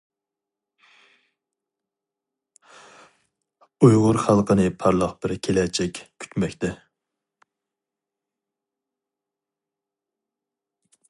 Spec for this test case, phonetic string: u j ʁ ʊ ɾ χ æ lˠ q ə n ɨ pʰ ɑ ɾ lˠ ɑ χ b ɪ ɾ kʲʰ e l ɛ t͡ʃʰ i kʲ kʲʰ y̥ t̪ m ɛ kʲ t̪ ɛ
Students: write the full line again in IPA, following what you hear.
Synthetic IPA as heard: u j ʁ ʊ ɾ χ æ lˠ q ə n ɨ pʰ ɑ ɾ lˠ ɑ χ b ɪ ɾ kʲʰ e l ɛ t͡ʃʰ ɛ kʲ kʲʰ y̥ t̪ m ɛ kʲ t̪ ɛ

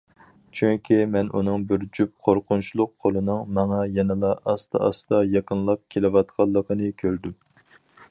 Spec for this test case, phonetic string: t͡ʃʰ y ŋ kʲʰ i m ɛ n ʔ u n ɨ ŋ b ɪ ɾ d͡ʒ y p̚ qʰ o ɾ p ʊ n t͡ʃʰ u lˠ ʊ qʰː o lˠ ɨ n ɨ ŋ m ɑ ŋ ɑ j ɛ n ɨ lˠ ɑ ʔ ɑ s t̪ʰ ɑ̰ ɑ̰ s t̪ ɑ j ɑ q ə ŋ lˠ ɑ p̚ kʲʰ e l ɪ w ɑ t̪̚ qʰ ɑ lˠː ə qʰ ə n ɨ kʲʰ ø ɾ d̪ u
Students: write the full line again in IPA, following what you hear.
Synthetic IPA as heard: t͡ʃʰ y ŋ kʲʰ i m ɛ n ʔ u n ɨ ŋ b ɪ ɾ d͡ʒ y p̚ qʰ o ɾ q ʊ n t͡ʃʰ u lˠ ʊ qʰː o lˠ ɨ n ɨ ŋ m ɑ ŋ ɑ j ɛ n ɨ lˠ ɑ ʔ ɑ s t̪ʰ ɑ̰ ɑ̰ s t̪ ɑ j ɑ q ə n lˠ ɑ p̚ kʲʰ e l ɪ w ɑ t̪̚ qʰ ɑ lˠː ə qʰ ə n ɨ kʲʰ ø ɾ d̪ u

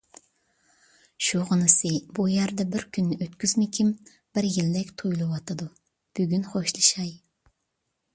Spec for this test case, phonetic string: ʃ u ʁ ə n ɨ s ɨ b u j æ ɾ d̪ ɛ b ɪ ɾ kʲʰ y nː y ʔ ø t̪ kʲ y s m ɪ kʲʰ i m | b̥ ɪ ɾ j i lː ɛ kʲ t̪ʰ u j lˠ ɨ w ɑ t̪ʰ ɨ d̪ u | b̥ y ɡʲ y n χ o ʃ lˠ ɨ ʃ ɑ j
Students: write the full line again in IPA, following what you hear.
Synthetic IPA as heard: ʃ u ʁ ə n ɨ s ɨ b u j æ ɾ d̪ ɛ b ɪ ɾ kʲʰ y nː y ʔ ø t̪ kʲ y z m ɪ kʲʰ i m | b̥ ɪ ɾ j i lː ɛ kʲ t̪ʰ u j lˠ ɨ w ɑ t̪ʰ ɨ d̪ u | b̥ y ɡʲ y n χ o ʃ lˠ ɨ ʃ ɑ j

